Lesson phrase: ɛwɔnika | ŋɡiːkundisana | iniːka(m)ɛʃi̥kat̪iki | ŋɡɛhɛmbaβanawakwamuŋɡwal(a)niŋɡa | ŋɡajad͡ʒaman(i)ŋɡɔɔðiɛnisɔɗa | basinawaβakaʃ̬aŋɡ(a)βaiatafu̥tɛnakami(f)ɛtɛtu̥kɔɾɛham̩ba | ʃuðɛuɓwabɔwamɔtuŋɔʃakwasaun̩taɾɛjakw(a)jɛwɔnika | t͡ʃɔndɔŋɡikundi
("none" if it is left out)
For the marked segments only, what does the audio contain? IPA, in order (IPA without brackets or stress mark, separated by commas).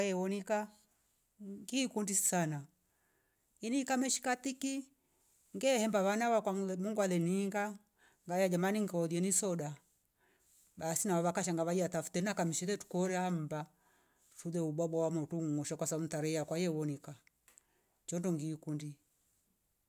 m, ɛ, i, a, ʃ, a